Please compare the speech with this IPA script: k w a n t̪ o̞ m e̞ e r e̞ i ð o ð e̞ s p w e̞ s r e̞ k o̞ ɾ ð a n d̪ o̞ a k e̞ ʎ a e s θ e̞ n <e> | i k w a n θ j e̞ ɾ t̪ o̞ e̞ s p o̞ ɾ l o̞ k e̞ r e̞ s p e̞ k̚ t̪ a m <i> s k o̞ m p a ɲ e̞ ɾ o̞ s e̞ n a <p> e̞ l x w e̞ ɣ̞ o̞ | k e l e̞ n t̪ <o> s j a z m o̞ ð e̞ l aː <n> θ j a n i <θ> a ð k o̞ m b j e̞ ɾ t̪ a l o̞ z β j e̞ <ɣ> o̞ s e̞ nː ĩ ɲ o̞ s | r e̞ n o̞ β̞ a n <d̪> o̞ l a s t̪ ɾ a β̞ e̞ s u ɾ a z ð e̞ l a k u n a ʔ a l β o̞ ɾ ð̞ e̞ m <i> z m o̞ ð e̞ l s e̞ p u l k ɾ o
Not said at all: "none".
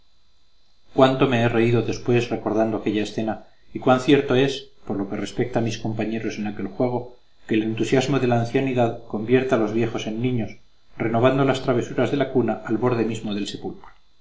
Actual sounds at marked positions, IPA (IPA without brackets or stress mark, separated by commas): a, i, k, u, n, ð, x, d̪, i